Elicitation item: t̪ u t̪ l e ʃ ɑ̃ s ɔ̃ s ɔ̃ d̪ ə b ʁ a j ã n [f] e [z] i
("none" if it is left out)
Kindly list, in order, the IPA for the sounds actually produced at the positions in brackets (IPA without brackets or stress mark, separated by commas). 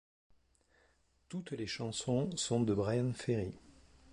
f, ʁ